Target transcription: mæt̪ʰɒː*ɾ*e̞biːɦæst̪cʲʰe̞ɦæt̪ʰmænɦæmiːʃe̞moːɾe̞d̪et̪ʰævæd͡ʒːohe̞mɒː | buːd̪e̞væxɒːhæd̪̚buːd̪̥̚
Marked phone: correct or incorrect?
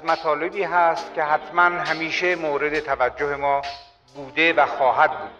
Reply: incorrect